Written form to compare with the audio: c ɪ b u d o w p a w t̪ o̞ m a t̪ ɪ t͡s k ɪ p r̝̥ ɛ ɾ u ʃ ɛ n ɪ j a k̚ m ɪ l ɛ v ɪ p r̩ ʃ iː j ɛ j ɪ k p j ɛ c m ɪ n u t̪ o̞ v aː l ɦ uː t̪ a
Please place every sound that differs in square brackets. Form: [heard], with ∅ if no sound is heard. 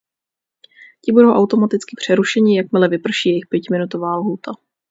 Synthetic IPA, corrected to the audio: c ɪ b u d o w [ʔ] a w t̪ o̞ m a t̪ ɪ t͡s k ɪ p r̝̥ ɛ ɾ u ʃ ɛ [ɲ] ɪ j a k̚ m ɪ l ɛ v ɪ p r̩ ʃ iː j ɛ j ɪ [x] p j ɛ c m ɪ n u t̪ o̞ v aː l ɦ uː t̪ a